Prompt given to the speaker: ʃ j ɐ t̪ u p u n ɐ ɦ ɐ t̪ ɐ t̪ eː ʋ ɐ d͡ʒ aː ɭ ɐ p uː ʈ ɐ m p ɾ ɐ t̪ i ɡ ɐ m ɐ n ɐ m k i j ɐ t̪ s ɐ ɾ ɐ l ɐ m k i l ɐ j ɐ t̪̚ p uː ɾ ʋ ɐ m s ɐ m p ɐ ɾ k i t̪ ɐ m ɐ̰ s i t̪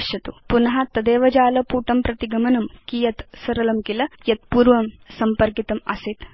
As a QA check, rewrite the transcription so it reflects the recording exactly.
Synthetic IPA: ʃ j ɐ t̪ u p u n ɐ ɦ ɐ t̪ ɐ d̪ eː ʋ ɐ d͡ʒ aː l ɐ p uː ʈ ɐ m p ɾ ɐ t̪ i ɡ ɐ m ɐ n ɐ m k i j ɐ t̪ s ɐ ɾ ɐ l ɐ m k i l ɐ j ɐ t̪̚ p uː ɾ ʋ ɐ m s ɐ m p ɐ ɾ k i t̪ ɐ m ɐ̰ s i t̪